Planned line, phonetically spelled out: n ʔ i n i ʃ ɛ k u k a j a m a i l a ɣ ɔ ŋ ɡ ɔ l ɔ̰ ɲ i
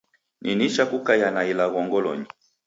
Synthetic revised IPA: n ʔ i n i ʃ a k u k a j a n a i l a ɣ ɔ ŋ ɡ ɔ l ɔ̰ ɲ i